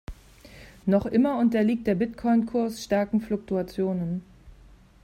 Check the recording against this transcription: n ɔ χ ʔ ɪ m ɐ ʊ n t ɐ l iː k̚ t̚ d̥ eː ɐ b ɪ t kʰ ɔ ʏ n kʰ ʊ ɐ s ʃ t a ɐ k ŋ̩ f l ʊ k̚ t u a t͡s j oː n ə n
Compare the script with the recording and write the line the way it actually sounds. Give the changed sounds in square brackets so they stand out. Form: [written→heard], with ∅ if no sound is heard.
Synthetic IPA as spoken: n ɔ χ ʔ ɪ m ɐ ʊ n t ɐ l iː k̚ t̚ d̥ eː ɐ b ɪ t kʰ ɔ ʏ n kʰ ʊ ɐ s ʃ t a ɐ k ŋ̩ f l ʊ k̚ t u a t͡s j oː n ə n